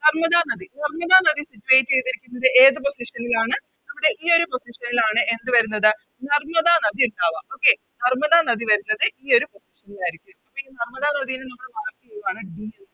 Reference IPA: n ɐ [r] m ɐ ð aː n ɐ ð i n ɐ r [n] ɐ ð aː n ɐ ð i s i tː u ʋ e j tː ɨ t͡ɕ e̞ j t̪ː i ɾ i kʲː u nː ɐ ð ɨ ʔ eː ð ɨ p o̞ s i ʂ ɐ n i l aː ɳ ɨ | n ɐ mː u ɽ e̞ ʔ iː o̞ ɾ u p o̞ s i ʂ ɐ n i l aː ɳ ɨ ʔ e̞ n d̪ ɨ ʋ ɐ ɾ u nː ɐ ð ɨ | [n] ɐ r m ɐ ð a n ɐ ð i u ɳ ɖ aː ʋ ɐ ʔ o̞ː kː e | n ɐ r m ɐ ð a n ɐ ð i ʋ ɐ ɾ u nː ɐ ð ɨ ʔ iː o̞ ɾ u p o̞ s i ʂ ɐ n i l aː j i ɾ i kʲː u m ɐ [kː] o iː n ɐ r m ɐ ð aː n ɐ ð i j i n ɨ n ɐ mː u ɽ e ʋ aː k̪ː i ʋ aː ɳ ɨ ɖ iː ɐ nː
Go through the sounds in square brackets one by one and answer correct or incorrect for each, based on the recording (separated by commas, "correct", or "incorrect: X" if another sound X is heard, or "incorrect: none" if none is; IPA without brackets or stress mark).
correct, incorrect: m, correct, incorrect: pː